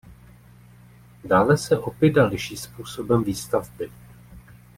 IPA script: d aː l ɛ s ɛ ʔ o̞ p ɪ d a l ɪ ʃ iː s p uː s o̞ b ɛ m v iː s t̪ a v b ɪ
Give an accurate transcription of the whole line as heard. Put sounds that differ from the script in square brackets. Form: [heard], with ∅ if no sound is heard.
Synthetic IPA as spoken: d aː l ɛ s ɛ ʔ o̞ p ɪ d a l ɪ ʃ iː s p uː s o̞ b ɛ m v iː s t̪ a v b ɪ